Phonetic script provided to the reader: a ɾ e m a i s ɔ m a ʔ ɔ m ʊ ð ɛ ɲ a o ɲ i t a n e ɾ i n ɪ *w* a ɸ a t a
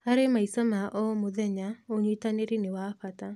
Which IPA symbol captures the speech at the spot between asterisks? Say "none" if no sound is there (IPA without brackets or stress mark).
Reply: w